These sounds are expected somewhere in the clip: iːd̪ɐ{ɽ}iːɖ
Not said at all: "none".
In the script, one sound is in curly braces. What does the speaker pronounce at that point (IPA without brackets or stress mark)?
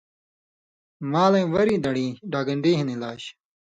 ɽ